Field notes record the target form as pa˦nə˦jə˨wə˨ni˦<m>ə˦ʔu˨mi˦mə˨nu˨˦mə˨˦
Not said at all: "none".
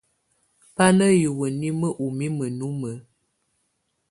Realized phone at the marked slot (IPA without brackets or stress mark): m